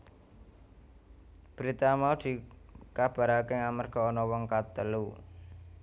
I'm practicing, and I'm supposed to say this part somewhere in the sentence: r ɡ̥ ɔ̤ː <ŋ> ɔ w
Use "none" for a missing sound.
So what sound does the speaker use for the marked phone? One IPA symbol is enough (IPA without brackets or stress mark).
n